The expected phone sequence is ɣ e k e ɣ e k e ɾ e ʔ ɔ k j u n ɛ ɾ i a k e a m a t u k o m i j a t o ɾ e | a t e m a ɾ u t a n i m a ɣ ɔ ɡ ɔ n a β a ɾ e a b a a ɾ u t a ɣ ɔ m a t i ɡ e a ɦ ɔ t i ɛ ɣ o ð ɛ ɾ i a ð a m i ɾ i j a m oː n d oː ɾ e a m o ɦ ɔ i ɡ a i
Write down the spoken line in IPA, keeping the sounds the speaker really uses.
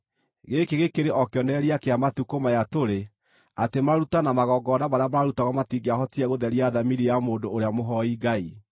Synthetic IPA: ɣ e k e ɣ e k e ɾ e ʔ ɔ k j ɔ n ɛ ɾ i a k e a m a t u k o m a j a t o ɾ e | a t e m a ɾ u t a n a m a ɣ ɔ ɡ ɔ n a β a ɾ e a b a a ɾ u t a ɣ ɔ m a t i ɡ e a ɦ ɔ t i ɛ ɣ o ð ɛ ɾ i a ð a m i ɾ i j a m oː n d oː ɾ e a m o ɦ ɔ i ɡ a i